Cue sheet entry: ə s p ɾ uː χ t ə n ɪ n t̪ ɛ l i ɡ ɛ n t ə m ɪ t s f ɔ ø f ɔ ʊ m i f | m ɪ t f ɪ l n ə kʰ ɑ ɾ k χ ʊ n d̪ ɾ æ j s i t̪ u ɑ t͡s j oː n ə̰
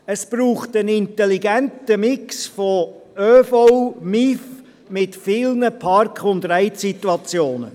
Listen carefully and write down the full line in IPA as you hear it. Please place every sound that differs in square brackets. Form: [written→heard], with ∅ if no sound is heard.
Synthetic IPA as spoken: ə s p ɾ uː χ t ə n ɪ n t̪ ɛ l i ɡ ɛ n t ə m ɪ [t→k] s f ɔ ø f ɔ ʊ m i f | m ɪ t f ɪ l n ə [kʰ→pʰ] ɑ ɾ k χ ʊ n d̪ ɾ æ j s i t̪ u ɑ t͡s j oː n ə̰